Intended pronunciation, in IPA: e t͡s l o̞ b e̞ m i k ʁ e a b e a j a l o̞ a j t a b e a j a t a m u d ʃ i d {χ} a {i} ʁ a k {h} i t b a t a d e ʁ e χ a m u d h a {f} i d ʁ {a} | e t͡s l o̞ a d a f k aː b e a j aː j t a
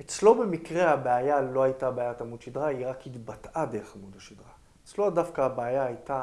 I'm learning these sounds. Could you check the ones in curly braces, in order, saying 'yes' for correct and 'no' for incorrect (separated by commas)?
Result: no, yes, yes, no, yes